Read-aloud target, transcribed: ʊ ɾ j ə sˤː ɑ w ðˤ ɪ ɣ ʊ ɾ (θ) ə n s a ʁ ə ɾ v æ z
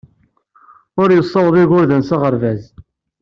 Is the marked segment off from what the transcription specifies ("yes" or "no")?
yes